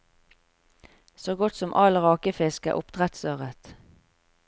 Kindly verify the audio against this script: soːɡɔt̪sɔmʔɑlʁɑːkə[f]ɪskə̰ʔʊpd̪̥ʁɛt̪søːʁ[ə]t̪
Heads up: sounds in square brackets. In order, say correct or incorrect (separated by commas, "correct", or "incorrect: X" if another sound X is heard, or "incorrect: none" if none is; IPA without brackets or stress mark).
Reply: correct, correct